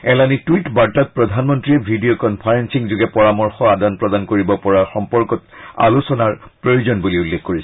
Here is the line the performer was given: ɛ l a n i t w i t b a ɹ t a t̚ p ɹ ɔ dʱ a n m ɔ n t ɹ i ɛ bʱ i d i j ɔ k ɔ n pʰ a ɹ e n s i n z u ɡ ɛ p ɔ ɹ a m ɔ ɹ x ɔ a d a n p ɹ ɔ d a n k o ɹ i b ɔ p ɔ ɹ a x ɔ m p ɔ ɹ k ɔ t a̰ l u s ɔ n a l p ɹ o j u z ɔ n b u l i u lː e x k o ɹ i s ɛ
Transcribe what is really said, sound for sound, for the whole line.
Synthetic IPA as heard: ɛ l a n i t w i t b a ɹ t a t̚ p ɹ ɔ dʱ a n m ɔ n t ɹ i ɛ bʱ i d i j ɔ k ɔ n pʰ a ɹ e n s i ŋ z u ɡ ɛ p ɔ ɹ a m ɔ ɹ x ɔ a d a n p ɹ ɔ d a n k o ɹ i b ɔ p ɔ ɹ a x ɔ m p ɔ ɹ k ɔ t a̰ l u s ɔ n a ɹ p ɹ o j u z ɔ n b u l i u lː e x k o ɹ i s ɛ